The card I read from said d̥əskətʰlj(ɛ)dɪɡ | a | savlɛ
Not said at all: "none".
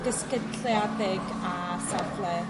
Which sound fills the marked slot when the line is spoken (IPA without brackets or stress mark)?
a